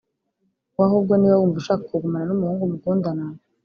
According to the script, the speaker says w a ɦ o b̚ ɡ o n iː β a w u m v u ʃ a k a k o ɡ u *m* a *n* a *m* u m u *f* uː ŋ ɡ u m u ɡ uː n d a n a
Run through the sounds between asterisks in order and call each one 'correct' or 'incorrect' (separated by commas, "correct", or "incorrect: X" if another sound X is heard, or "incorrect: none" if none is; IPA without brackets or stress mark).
correct, correct, incorrect: n, incorrect: h